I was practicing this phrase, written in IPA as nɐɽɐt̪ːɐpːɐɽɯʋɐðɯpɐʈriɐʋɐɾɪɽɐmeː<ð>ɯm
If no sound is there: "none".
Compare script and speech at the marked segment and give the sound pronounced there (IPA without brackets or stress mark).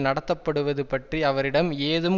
ð